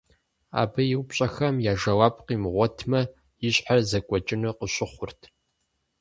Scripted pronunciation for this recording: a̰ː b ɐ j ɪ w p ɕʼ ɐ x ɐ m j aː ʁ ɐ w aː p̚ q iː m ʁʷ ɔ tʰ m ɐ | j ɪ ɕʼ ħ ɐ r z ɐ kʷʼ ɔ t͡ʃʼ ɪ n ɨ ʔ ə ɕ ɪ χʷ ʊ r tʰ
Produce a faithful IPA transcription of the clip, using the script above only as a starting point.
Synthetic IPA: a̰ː b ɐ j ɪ w p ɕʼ ɐ x ɐ m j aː ʒ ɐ w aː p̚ q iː m ʁʷ ɔ tʰ m ɐ | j ɪ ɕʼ ħ a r z ɐ kʷʼ ɔ t͡ʃʼ ɪ n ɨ q ə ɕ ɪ χʷ ʊ r tʰ